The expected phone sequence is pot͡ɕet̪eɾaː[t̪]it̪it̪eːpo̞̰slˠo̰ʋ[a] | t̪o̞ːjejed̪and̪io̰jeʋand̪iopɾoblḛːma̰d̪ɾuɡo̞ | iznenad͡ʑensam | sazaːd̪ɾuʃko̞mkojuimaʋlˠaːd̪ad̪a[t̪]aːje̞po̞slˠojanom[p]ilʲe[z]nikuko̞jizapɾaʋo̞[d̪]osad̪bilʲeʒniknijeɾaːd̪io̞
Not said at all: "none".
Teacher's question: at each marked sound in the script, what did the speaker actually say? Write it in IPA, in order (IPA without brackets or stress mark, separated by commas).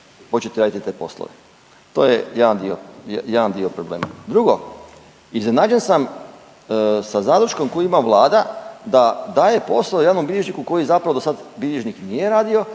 d̪, e, d̪, b, ʒ, d̪